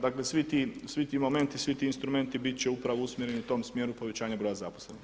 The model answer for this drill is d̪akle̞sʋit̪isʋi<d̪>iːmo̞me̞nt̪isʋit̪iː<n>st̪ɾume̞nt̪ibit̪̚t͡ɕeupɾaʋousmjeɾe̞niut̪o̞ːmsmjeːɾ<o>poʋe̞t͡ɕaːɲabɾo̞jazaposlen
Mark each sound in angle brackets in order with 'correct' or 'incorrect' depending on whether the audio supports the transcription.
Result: incorrect, correct, incorrect

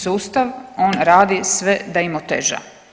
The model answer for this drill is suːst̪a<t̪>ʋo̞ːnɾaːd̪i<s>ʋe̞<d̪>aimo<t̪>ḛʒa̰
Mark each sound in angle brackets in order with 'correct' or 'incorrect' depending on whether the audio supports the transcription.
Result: incorrect, correct, correct, correct

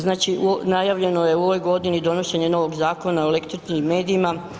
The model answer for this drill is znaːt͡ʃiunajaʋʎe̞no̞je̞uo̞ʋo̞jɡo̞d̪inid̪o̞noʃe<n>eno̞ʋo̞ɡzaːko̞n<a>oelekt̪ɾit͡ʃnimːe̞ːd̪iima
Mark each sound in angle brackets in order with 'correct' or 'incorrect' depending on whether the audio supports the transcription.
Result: incorrect, correct

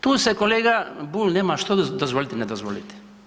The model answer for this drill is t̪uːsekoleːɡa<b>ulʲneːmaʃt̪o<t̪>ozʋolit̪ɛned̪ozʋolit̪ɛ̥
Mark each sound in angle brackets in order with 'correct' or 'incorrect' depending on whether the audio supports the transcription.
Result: correct, incorrect

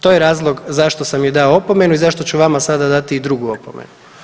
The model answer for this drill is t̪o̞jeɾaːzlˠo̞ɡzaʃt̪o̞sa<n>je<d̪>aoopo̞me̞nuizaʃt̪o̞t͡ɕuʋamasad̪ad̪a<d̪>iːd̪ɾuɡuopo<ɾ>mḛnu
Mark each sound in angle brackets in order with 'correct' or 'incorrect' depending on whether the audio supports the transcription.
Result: incorrect, correct, incorrect, incorrect

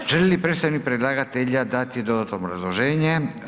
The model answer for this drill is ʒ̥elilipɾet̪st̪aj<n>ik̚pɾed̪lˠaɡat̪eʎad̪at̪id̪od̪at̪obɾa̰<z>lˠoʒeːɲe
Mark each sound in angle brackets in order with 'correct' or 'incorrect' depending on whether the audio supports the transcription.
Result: correct, correct

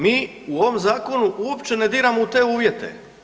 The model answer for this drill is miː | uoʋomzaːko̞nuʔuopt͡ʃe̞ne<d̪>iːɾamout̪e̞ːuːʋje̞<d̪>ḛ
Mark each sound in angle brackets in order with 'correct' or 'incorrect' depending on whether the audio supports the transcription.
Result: correct, incorrect

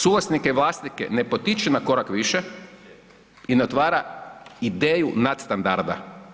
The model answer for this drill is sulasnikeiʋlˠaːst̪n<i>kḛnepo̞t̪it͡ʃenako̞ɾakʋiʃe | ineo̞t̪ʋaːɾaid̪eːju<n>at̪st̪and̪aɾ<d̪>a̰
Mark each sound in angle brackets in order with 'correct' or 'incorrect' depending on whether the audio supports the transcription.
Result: correct, correct, correct

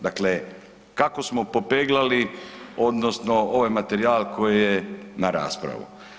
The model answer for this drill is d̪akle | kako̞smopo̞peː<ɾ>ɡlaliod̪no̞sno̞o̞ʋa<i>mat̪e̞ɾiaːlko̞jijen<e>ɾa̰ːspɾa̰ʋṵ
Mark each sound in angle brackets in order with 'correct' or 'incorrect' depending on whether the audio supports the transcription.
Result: incorrect, incorrect, incorrect

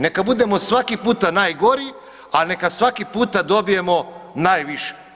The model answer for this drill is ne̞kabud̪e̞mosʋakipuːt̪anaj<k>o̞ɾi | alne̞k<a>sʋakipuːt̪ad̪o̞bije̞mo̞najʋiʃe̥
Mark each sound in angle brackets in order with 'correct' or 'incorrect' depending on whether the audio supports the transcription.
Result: incorrect, correct

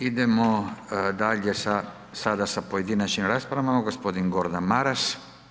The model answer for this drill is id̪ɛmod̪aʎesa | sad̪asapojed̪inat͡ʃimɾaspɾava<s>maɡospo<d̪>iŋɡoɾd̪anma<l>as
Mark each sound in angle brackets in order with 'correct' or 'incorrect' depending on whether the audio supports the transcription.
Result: incorrect, correct, incorrect

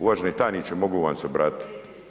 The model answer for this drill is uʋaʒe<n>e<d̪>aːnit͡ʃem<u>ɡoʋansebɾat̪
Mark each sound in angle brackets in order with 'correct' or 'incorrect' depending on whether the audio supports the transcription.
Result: correct, incorrect, incorrect

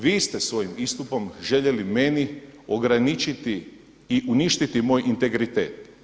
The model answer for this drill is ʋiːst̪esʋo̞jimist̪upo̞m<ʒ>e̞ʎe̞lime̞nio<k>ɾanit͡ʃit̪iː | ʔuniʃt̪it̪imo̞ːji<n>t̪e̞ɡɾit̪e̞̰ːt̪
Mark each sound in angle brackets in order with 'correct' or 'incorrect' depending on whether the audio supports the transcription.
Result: correct, incorrect, correct

